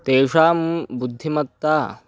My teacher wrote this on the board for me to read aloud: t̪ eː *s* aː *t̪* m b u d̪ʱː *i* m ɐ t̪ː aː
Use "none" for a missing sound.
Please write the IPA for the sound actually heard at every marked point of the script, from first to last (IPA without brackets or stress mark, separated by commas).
ʂ, none, i